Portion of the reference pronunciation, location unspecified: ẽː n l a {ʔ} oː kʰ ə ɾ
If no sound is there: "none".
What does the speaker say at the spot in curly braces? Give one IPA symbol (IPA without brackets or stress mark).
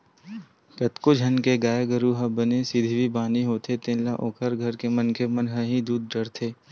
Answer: ʔ